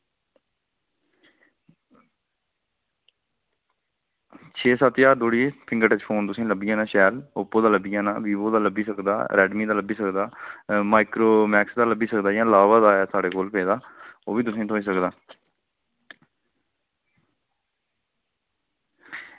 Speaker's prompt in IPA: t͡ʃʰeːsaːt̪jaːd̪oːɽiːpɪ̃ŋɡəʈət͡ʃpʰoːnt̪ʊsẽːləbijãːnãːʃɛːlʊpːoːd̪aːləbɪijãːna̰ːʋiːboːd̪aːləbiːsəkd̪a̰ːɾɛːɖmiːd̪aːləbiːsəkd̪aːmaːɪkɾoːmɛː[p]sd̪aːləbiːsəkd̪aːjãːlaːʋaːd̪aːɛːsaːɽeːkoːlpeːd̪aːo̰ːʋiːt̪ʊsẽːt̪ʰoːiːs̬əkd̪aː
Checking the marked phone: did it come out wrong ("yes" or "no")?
yes